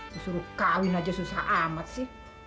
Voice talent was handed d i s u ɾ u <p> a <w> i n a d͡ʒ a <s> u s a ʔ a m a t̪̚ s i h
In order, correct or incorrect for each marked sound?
incorrect: k, correct, correct

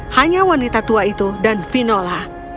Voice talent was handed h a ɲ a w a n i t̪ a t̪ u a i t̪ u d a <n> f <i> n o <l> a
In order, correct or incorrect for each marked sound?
correct, correct, correct

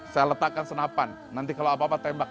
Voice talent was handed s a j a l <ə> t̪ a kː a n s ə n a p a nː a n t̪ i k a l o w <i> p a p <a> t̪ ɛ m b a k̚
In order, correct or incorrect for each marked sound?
correct, incorrect: a, correct

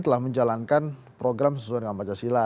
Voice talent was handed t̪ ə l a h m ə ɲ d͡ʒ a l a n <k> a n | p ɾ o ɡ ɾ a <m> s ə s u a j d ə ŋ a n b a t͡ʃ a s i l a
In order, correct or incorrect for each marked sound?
correct, correct

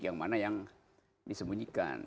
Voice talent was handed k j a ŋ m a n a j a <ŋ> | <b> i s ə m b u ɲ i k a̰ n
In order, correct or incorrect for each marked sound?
correct, incorrect: d

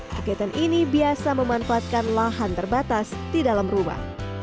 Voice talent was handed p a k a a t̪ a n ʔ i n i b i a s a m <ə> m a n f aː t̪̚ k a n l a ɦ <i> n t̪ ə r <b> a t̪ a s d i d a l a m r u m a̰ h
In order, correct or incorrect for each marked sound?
correct, incorrect: a, correct

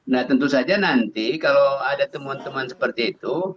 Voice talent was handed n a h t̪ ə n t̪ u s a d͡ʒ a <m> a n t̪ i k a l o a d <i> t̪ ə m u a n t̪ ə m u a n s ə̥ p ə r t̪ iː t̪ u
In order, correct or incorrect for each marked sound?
incorrect: n, incorrect: a

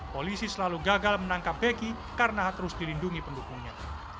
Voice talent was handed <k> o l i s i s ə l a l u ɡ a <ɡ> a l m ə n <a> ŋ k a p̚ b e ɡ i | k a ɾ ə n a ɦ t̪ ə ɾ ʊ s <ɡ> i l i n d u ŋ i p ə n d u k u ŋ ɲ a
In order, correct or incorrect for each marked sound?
incorrect: p, correct, correct, incorrect: d

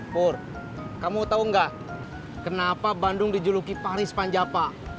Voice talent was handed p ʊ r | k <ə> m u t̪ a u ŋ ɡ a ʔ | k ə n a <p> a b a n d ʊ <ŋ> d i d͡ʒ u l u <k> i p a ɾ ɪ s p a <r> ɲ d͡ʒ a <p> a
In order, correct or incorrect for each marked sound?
incorrect: a, correct, correct, correct, incorrect: none, correct

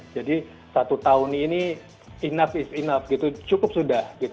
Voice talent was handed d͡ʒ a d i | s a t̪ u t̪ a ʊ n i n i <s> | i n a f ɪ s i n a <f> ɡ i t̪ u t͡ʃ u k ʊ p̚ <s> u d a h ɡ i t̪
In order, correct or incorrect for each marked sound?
incorrect: none, correct, correct

